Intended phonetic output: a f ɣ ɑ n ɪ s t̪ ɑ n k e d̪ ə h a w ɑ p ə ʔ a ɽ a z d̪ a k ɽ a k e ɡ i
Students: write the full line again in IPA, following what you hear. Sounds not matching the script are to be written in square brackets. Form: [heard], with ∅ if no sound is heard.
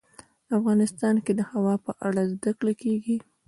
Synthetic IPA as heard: a f ɣ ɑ n ɪ s t̪ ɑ n k e d̪ ə h a w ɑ p ə ʔ a ɽ a z d̪ a k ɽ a k e ɡ i